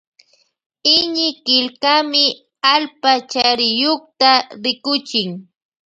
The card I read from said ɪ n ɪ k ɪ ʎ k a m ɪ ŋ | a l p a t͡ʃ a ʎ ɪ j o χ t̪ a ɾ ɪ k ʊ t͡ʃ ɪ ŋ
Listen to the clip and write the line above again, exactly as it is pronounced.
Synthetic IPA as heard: ɪ ɲ ɪ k ɪ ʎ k a m ɪ | a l p a t͡ʃ a ɾ ɪ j o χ t̪ a ɾ ɪ k ʊ t͡ʃ ɪ ŋ